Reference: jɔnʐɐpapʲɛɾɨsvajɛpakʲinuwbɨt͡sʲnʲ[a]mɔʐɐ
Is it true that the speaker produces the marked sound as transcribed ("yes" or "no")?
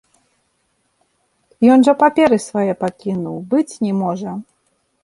no